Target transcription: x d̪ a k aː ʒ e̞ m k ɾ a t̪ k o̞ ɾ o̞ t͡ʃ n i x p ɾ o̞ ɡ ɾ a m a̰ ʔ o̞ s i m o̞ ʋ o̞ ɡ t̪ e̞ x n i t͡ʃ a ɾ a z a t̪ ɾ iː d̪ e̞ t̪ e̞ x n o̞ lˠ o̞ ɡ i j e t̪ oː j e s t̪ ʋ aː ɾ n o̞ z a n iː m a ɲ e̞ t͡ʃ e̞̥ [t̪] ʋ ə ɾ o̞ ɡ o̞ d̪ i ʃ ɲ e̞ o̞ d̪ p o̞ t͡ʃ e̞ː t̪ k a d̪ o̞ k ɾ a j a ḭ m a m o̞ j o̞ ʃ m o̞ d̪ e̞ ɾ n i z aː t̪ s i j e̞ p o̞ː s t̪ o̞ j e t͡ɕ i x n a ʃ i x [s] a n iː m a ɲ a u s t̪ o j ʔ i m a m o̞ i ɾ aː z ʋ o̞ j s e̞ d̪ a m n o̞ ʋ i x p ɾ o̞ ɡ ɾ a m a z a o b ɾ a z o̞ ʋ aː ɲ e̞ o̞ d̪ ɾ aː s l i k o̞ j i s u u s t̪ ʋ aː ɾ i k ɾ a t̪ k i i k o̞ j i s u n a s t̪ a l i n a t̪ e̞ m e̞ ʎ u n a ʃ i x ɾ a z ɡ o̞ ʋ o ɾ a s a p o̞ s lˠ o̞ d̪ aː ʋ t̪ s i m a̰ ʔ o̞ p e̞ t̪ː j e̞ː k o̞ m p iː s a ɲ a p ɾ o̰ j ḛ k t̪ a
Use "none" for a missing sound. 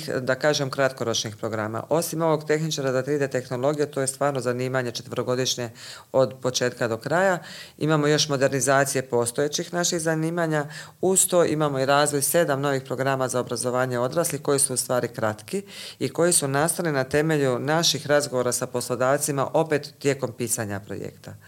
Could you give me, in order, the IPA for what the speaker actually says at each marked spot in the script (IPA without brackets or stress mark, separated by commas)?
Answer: t̪, z